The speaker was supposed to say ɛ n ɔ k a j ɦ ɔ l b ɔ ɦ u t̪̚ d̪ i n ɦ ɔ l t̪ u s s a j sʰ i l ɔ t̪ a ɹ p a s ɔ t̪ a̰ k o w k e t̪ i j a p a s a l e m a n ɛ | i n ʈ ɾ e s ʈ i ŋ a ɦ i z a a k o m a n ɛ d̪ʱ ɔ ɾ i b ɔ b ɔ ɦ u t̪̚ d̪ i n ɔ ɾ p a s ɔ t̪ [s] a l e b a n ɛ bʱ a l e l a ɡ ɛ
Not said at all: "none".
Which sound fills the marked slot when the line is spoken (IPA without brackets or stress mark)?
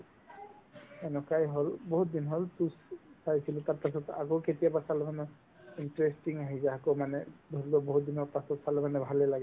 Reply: s